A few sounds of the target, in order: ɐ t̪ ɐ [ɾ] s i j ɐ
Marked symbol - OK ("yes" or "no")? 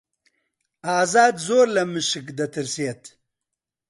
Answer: yes